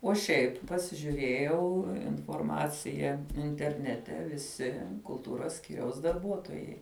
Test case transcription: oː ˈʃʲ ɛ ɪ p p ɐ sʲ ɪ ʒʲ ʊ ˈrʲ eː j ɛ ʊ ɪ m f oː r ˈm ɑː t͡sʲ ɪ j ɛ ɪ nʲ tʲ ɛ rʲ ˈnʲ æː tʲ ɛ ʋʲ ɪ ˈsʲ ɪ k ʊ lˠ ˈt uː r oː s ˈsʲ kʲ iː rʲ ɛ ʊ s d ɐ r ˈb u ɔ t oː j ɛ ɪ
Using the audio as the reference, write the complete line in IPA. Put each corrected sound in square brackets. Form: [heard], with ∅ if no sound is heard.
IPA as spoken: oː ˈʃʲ ɛ ɪ p p ɐ sʲ ɪ ʒʲ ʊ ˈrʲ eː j ɛ ʊ ɪ [n] f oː r ˈm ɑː t͡sʲ ɪ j ɛ ɪ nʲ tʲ ɛ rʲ ˈnʲ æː tʲ ɛ ʋʲ ɪ ˈsʲ ɪ k ʊ lˠ ˈt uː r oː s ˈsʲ kʲ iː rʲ ɛ ʊ s d ɐ r ˈb u ɔ t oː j ɛ ɪ

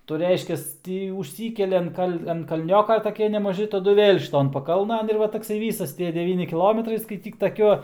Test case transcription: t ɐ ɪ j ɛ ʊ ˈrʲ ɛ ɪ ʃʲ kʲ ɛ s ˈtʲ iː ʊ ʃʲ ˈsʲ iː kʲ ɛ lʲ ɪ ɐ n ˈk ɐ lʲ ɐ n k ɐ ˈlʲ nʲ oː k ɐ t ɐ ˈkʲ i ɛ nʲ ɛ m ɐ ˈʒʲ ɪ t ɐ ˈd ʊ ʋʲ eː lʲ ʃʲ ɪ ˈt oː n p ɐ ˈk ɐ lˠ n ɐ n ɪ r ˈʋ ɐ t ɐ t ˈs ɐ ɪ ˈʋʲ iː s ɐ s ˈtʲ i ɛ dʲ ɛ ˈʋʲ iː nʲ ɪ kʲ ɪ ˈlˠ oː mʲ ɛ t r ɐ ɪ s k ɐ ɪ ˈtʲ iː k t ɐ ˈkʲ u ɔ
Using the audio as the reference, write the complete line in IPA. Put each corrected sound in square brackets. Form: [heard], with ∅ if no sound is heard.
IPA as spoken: t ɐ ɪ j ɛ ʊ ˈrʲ ɛ ɪ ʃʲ kʲ ɛ s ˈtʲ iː ʊ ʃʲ ˈsʲ iː kʲ ɛ lʲ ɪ ɐ n ˈk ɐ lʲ ɐ n k ɐ ˈlʲ nʲ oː k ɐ t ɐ ˈkʲ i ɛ nʲ ɛ m ɐ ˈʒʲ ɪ t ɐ ˈd ʊ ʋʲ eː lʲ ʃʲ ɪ ˈt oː n p ɐ ˈk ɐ lˠ n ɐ n ɪ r ˈʋ ɐ t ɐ [k] ˈs ɐ ɪ ˈʋʲ iː s ɐ s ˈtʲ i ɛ dʲ ɛ ˈʋʲ iː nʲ ɪ kʲ ɪ ˈlˠ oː mʲ ɛ t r ɐ ɪ s k ɐ ɪ ˈtʲ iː k t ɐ ˈkʲ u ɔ

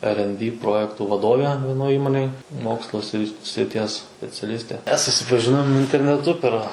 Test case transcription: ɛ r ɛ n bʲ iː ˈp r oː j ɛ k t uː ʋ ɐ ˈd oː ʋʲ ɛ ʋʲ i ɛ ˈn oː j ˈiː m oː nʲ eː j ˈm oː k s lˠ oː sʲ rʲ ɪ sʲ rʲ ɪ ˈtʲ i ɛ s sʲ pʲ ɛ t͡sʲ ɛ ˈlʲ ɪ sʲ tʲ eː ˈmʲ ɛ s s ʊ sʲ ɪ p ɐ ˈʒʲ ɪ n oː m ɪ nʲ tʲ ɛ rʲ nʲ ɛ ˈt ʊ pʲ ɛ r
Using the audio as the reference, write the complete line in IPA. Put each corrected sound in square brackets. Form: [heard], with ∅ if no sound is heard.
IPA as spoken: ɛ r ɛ n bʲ iː ˈp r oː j ɛ k t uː ʋ ɐ ˈd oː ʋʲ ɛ ʋʲ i ɛ ˈn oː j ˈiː m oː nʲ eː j ˈm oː k s lˠ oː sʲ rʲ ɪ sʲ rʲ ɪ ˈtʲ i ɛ s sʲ pʲ ɛ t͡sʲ ɛ ˈlʲ ɪ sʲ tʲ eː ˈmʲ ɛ s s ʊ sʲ ɪ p ɐ ˈʒʲ ɪ n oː m ɪ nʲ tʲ ɛ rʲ nʲ ɛ ˈt ʊ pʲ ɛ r

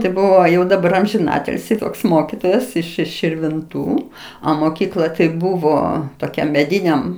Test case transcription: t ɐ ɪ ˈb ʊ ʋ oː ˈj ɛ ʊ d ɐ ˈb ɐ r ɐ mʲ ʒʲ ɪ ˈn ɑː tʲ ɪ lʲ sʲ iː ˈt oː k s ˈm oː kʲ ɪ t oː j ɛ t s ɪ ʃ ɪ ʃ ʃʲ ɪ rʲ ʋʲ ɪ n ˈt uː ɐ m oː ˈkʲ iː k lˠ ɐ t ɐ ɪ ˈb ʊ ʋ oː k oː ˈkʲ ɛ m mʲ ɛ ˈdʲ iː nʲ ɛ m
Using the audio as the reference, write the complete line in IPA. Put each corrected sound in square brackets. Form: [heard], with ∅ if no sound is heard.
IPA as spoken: t ɐ ɪ ˈb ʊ ʋ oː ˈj ɛ ʊ d ɐ ˈb ɐ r ɐ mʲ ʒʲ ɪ ˈn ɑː tʲ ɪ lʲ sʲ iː ˈt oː k s ˈm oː kʲ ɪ t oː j ɛ [∅] s ɪ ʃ ɪ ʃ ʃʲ ɪ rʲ ʋʲ ɪ n ˈt uː ɐ m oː ˈkʲ iː k lˠ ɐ t ɐ ɪ ˈb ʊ ʋ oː [t] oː ˈkʲ ɛ m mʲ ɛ ˈdʲ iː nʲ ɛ m

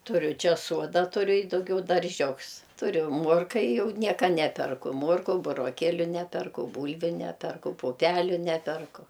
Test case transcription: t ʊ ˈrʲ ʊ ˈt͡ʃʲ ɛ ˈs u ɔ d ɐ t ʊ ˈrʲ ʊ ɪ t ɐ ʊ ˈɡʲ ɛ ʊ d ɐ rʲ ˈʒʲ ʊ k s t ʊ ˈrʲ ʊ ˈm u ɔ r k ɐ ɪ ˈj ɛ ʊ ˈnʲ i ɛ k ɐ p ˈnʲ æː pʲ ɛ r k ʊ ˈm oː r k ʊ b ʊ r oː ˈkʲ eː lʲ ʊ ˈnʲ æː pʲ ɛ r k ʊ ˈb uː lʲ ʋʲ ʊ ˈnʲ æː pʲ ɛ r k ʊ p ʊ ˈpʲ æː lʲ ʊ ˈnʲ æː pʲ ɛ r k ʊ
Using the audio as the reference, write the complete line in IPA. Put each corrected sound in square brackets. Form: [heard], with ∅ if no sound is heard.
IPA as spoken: t ʊ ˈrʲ ʊ ˈt͡ʃʲ ɛ ˈs u ɔ d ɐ t ʊ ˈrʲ ʊ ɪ [d] ɐ ʊ ˈɡʲ ɛ ʊ d ɐ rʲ ˈʒʲ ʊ k s t ʊ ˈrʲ ʊ ˈm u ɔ r k ɐ ɪ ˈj ɛ ʊ ˈnʲ i ɛ k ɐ [∅] ˈnʲ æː pʲ ɛ r k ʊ ˈm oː r k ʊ b ʊ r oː ˈkʲ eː lʲ ʊ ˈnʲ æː pʲ ɛ r k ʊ ˈb uː lʲ ʋʲ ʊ ˈnʲ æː pʲ ɛ r k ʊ p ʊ ˈpʲ æː lʲ ʊ ˈnʲ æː pʲ ɛ r k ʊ

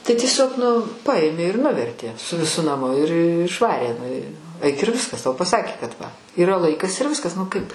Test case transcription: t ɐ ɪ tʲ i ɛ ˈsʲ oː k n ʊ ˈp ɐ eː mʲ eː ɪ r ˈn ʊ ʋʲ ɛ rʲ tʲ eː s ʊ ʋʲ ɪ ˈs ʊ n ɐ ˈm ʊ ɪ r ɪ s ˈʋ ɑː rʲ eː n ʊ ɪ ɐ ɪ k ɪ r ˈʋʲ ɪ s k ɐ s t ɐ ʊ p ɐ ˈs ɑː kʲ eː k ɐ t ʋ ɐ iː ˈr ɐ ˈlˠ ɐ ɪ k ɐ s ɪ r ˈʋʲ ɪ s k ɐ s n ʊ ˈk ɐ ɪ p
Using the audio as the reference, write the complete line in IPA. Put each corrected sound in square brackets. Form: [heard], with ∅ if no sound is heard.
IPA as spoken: t ɐ ɪ tʲ i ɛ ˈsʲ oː k n ʊ ˈp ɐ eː mʲ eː ɪ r ˈn ʊ ʋʲ ɛ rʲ tʲ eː s ʊ ʋʲ ɪ ˈs ʊ n ɐ ˈm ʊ ɪ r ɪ [ʃ] ˈʋ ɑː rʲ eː n ʊ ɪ ɐ ɪ k ɪ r ˈʋʲ ɪ s k ɐ s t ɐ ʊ p ɐ ˈs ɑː kʲ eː k ɐ t ʋ ɐ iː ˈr ɐ ˈlˠ ɐ ɪ k ɐ s ɪ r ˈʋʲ ɪ s k ɐ s n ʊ ˈk ɐ ɪ p

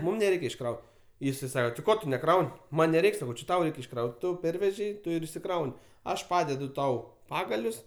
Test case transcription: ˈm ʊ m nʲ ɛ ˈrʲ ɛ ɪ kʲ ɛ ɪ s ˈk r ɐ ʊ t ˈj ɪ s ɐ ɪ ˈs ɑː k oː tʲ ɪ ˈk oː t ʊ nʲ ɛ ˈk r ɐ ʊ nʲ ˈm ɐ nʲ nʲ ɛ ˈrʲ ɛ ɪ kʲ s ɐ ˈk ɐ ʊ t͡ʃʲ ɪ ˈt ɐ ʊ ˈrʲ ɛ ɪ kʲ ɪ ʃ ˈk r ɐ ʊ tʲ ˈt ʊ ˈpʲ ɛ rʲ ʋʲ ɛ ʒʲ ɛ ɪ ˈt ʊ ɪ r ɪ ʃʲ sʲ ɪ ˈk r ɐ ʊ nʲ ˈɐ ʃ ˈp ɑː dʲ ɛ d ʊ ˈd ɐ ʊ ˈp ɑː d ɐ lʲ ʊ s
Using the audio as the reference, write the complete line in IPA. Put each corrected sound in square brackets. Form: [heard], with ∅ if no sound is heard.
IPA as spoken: ˈm ʊ m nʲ ɛ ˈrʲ ɛ ɪ kʲ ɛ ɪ [ʃ] ˈk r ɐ ʊ t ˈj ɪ s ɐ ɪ ˈs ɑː k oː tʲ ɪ ˈk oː t ʊ nʲ ɛ ˈk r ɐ ʊ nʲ ˈm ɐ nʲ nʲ ɛ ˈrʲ ɛ ɪ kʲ s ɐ ˈk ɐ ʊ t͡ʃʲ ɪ ˈt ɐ ʊ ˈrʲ ɛ ɪ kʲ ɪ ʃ ˈk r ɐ ʊ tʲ ˈt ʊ ˈpʲ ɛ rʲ ʋʲ ɛ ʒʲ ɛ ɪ ˈt ʊ ɪ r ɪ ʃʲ sʲ ɪ ˈk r ɐ ʊ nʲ ˈɐ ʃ ˈp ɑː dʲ ɛ d ʊ [ˈt] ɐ ʊ ˈp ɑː [ɡ] ɐ lʲ ʊ s

